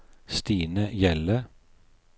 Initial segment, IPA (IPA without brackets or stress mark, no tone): s